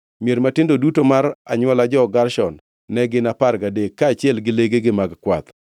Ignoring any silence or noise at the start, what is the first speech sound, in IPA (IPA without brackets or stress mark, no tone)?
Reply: m